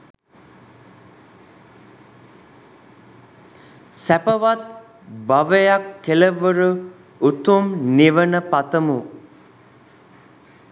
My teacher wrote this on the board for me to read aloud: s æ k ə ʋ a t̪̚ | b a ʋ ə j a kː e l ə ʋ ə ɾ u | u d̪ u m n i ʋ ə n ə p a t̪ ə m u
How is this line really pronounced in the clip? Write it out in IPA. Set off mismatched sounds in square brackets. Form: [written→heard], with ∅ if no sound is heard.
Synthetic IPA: s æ [k→p] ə ʋ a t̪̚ | b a ʋ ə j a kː e l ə ʋ ə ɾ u | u [d̪→t̪] u m n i ʋ ə n ə p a t̪ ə m u